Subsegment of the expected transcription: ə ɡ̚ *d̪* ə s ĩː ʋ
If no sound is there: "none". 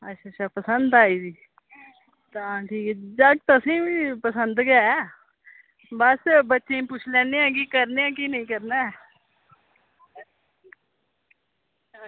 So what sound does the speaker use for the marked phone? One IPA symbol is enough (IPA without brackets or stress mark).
t̪